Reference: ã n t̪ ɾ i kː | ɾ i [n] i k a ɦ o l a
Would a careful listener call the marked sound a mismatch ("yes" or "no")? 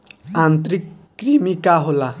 yes